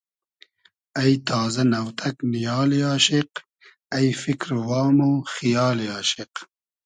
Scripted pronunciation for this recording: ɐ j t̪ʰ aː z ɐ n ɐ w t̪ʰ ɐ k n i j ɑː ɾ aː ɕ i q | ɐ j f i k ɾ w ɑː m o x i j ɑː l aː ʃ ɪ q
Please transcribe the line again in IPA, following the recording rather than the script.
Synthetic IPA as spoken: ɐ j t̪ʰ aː z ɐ n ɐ w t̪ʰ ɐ k n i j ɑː l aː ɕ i q | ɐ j f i k ɾ w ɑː m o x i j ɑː l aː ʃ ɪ q